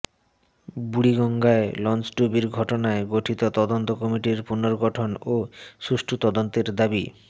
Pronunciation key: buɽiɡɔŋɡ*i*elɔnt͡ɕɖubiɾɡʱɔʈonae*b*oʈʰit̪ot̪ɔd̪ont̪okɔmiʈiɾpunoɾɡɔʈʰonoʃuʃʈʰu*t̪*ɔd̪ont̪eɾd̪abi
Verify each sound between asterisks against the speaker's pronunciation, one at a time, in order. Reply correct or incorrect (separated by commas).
incorrect, incorrect, correct